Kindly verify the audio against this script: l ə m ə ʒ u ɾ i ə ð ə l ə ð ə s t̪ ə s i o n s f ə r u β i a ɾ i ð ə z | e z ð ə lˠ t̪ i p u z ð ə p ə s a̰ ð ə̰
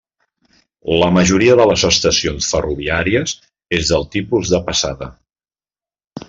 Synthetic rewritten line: l ə m ə ʒ u ɾ i ə ð ə l ə z ə s t̪ ə s i o n s f ə r u β i a ɾ i ə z | e z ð ə lˠ t̪ i p u z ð ə p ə s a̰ ð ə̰